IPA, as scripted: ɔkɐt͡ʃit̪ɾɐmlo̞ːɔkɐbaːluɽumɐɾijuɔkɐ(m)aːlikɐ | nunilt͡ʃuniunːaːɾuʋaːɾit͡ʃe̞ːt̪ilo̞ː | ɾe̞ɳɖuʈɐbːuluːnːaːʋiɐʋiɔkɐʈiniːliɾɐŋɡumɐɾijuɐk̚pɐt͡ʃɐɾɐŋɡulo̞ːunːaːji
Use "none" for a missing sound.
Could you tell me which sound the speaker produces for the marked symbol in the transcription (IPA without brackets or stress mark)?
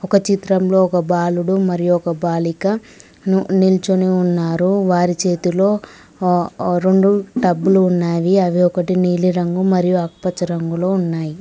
b